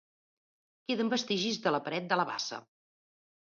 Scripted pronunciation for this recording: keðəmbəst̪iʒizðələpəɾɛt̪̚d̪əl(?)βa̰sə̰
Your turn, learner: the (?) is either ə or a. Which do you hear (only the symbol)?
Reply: ə